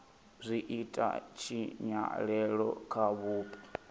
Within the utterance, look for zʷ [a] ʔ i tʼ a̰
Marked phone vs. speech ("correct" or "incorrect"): incorrect